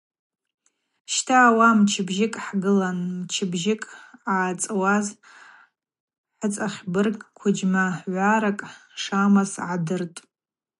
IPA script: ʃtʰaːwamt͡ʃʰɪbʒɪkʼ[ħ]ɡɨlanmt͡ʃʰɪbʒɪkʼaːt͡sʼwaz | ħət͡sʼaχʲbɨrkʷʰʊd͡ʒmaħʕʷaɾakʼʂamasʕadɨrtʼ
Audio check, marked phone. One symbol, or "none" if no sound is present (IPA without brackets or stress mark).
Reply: ħ